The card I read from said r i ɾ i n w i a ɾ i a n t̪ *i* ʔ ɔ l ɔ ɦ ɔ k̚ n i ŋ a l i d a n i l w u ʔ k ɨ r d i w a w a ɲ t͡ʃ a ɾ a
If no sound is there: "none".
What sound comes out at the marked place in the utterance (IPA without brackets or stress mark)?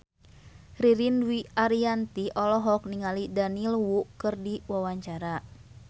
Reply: i